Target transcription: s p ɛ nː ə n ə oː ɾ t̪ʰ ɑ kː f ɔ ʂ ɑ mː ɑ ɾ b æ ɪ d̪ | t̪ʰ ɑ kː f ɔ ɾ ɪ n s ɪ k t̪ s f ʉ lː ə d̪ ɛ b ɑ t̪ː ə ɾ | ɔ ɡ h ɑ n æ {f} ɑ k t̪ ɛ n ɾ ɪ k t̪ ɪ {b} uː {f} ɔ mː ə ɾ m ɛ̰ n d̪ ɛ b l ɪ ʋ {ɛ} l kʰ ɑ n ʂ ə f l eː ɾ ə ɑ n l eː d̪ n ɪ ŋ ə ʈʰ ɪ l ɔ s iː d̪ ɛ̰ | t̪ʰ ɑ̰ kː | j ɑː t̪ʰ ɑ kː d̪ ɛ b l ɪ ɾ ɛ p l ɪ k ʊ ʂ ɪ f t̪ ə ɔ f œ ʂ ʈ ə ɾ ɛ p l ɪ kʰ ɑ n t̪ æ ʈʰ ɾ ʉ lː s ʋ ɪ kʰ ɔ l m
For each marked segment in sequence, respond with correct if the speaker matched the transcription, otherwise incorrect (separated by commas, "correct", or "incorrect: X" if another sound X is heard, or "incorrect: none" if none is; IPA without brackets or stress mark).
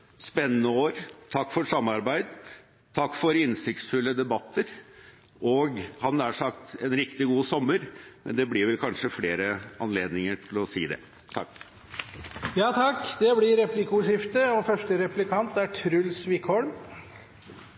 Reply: incorrect: ʂ, incorrect: ɡ, incorrect: s, correct